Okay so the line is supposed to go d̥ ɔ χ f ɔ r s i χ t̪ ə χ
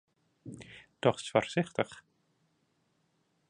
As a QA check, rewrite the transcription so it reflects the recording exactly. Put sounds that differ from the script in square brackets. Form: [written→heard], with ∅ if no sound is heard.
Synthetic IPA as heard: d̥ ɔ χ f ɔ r s [i→ɪ] χ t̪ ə χ

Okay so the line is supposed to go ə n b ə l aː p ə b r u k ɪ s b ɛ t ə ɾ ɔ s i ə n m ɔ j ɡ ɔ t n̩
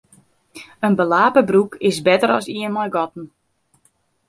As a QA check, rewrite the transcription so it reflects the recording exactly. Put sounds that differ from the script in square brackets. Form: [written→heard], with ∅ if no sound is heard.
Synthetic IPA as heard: ə n b ə l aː p ə b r u k ɪ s b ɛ t ə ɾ ɔ s i ə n m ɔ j ɡ ɔ t n̩

